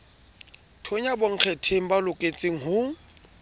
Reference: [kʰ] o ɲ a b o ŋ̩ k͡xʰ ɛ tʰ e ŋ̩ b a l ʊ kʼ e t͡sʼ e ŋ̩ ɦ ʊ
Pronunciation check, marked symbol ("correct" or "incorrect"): incorrect